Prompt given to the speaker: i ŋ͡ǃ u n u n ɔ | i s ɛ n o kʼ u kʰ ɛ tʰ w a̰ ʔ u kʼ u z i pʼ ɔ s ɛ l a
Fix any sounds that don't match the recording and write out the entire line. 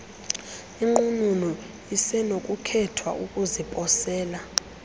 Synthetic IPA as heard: i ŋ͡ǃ u n u n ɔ | i s ɛ n o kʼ u kʰ ɛ tʰ w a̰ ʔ u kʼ u z i pʼ ɔ s ɛː l a